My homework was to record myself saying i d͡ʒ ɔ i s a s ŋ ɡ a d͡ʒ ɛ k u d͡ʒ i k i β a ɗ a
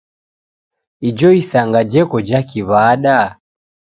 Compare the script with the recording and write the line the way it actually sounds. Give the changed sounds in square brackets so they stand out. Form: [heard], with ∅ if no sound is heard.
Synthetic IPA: i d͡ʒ ɔ i s a [∅] ŋ ɡ a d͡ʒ ɛ k [ɔ] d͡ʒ [a] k i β a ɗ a